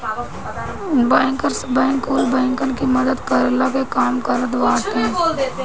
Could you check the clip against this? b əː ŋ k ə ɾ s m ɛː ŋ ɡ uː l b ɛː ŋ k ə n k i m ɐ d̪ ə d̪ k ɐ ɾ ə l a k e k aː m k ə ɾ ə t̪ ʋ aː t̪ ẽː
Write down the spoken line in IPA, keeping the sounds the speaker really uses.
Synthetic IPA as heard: b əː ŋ k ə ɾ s b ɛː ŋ k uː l b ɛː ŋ k ə n k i m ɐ d̪ ə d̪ k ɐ ɾ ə l a k e k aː m k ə ɾ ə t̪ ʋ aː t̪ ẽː